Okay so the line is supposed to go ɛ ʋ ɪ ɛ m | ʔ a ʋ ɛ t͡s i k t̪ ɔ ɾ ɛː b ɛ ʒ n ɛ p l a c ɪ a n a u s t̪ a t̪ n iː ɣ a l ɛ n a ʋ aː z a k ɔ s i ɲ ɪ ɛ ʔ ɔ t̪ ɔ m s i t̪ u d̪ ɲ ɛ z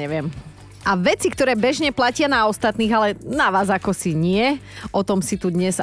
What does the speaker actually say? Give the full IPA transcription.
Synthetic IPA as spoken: ɛ ʋ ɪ ɛ m | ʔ a ʋ ɛ t͡s i k t̪ ɔ ɾ ɛː b ɛ ʒ ɲ ɛ p l a c ɪ a n a ɔ s t̪ a t̪ n iː ɣ a l ɛ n a ʋ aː z a k ɔ s i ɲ ɪ ɛ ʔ ɔ t̪ ɔ m s i t̪ u d̪ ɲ ɛ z